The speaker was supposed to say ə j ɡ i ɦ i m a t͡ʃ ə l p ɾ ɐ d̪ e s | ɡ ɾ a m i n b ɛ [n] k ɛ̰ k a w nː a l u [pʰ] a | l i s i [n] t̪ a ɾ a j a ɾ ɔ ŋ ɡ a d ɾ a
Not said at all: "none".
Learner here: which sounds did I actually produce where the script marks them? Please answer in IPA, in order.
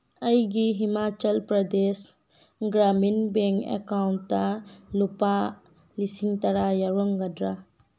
ŋ, p, ŋ

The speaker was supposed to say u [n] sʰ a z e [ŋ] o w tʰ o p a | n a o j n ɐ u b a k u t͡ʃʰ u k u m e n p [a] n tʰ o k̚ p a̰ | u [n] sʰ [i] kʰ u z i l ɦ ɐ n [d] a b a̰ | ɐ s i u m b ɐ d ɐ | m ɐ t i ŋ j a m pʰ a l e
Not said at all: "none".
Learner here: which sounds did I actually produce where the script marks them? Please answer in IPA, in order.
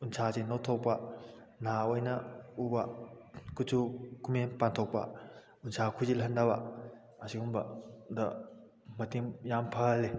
n, n, a, n, a, d

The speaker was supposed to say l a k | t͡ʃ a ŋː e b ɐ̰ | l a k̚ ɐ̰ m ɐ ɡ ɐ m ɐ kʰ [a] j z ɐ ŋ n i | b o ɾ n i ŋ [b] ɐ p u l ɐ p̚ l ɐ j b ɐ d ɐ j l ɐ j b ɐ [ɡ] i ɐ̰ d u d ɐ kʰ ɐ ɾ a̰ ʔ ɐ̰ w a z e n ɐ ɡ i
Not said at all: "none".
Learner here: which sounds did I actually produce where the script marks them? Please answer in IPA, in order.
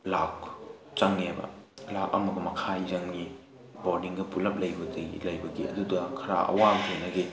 a, ɡ, ɡ

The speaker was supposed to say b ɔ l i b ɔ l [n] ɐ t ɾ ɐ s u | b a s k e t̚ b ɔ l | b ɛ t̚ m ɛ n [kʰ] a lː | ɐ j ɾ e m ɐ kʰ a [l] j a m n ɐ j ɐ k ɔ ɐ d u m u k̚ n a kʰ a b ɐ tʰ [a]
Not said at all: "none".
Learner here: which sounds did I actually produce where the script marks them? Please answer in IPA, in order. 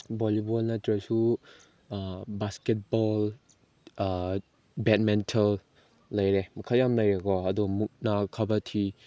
n, tʰ, l, i

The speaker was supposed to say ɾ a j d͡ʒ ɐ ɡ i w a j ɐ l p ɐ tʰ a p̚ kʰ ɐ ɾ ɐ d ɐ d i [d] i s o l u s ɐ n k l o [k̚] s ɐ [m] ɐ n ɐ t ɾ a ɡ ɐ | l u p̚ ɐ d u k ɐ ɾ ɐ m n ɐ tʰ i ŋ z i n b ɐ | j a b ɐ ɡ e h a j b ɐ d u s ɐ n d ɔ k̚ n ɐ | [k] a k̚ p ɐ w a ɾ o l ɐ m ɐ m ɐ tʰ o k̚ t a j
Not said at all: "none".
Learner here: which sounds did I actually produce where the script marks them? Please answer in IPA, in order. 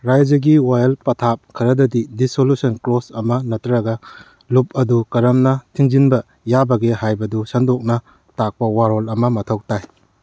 d, none, m, t

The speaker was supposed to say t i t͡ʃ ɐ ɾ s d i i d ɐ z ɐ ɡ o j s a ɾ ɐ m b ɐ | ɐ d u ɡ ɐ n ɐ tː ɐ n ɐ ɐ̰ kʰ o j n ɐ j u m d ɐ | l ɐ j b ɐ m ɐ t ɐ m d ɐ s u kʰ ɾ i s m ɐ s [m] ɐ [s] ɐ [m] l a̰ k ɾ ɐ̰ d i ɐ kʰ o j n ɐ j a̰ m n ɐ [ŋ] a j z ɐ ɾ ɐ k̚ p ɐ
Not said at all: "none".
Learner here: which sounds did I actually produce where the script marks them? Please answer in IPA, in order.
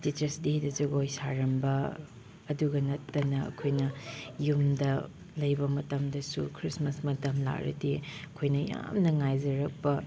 m, t, m, ŋ

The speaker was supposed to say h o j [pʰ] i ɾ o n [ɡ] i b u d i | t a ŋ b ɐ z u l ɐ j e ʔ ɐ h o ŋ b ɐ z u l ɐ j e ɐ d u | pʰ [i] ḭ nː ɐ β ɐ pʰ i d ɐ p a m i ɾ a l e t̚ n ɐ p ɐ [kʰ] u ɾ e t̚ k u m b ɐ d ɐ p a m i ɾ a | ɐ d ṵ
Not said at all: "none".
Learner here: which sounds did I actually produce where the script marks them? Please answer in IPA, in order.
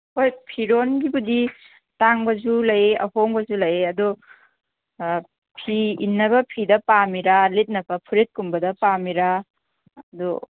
pʰ, ɡ, i, pʰ

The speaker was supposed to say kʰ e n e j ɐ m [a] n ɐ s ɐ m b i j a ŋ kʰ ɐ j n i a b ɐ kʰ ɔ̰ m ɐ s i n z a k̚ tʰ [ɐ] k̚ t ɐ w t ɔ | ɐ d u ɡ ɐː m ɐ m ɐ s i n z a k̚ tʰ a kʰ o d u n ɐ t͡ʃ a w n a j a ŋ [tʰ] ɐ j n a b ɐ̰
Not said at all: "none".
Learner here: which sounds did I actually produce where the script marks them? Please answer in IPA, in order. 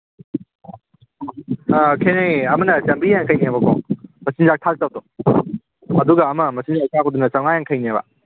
ɐ, a, kʰ

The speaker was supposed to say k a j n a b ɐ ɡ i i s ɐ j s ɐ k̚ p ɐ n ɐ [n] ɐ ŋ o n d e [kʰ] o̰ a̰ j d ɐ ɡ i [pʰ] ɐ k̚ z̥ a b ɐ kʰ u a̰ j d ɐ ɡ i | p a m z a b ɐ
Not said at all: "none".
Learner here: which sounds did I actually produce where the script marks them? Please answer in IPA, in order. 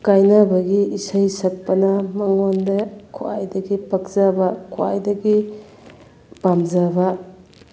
m, kʰ, p

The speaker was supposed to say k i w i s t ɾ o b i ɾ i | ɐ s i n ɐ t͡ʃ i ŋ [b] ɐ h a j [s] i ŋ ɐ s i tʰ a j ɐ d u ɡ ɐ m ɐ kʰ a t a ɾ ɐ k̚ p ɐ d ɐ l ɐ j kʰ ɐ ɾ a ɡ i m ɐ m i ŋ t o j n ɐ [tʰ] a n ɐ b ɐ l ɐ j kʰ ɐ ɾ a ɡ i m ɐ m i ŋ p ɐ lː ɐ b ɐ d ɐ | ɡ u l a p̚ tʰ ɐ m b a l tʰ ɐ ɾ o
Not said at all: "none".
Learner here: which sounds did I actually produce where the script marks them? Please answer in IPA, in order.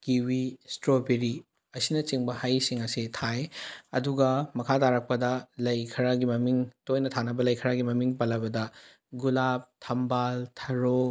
b, s, tʰ

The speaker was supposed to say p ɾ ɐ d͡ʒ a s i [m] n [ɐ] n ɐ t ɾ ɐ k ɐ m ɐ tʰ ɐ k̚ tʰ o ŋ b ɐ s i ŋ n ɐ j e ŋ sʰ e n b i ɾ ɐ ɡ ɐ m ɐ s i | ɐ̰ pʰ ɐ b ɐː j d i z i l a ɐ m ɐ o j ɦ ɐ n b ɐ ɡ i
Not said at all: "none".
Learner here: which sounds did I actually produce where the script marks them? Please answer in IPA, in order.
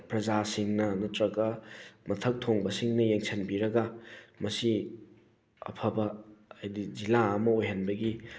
ŋ, ɐ

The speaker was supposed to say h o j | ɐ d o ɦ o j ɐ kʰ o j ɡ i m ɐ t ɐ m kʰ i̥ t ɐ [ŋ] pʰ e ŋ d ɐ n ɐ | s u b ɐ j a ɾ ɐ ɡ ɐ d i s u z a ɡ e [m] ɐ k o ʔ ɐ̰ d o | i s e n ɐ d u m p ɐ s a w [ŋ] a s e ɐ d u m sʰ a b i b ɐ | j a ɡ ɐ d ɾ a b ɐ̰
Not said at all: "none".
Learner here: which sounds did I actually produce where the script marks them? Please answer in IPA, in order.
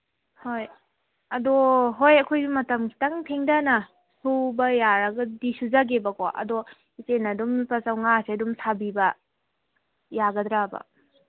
ŋ, b, ŋ

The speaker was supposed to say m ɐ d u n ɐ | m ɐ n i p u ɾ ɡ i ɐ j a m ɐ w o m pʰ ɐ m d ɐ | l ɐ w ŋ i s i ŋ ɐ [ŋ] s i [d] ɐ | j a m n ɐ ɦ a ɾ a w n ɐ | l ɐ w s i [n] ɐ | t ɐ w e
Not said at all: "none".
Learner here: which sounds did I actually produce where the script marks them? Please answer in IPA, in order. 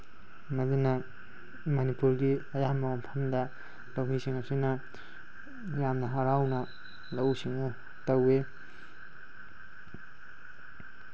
none, n, ŋ

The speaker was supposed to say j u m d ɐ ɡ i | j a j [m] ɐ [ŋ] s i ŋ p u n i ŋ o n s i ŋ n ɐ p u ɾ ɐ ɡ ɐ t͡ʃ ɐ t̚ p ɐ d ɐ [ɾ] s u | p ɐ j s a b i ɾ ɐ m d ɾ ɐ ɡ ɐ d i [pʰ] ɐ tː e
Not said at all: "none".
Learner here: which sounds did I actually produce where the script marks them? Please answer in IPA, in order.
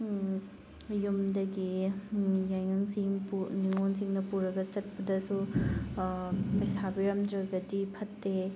ŋ, ŋ, none, pʰ

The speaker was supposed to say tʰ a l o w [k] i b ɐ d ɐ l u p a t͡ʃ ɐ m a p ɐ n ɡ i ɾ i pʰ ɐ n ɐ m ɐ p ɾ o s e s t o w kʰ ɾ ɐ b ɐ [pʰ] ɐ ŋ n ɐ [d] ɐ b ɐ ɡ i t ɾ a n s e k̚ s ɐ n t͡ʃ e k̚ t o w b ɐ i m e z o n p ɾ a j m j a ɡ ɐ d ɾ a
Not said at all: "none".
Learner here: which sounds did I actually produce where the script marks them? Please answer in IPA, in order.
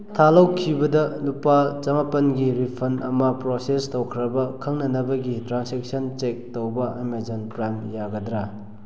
kʰ, kʰ, n

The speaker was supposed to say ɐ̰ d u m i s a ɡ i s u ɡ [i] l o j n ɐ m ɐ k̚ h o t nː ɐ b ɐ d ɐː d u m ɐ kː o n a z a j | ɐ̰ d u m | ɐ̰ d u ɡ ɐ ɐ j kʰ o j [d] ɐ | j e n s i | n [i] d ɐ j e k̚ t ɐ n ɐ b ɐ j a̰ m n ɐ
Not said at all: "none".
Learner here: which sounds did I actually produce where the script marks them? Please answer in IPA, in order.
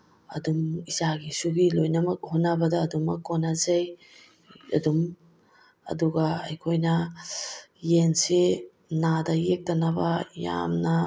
i, n, a

